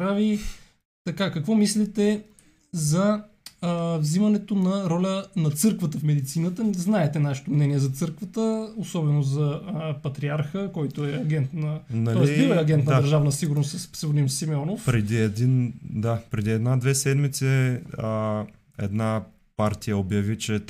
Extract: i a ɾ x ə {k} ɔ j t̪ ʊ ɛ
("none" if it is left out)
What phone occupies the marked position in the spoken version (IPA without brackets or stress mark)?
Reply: k